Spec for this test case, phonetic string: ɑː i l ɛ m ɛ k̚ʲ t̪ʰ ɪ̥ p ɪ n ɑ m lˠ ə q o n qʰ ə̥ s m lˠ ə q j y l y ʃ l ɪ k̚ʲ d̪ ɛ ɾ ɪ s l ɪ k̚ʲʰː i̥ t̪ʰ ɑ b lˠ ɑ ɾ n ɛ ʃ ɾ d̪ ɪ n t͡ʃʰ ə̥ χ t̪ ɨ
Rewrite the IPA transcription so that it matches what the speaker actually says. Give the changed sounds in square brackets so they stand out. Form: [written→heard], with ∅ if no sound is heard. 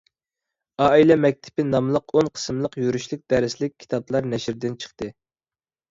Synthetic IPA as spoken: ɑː i l ɛ m ɛ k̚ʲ t̪ʰ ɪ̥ p ɪ n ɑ m lˠ ə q o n qʰ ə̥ s m lˠ ə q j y [l→ɾ] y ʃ l ɪ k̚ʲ d̪ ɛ ɾ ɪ s l ɪ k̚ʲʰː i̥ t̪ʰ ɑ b lˠ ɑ ɾ n ɛ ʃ ɾ d̪ ɪ n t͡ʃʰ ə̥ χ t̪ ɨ